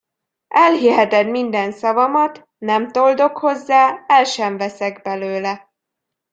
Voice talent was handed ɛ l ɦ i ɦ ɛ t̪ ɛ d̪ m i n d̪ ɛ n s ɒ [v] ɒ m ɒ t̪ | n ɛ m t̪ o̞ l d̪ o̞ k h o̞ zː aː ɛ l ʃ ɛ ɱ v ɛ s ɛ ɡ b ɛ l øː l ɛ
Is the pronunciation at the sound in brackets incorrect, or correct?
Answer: correct